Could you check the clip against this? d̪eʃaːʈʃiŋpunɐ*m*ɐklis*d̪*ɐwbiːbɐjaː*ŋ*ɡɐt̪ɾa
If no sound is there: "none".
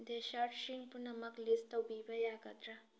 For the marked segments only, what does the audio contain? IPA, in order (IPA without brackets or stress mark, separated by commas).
m, t̪, none